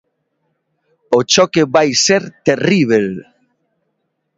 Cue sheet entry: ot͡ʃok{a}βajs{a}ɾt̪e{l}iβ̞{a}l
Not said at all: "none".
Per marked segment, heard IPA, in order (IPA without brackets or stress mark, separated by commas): e, e, r, e